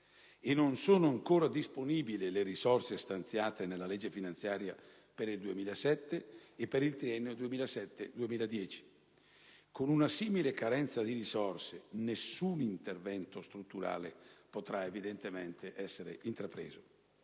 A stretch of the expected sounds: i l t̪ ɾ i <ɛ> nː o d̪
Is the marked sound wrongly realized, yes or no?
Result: no